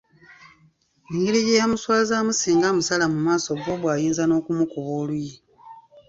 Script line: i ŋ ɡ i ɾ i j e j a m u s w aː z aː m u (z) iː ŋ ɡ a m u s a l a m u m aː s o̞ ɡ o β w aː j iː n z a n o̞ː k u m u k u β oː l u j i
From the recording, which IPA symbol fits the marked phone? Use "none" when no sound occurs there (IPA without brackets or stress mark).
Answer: s